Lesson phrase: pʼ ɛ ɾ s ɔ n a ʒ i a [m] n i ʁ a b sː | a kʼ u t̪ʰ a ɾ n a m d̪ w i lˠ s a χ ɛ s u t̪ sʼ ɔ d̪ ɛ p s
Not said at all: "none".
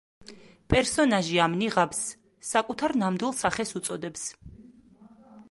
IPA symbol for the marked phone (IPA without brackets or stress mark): m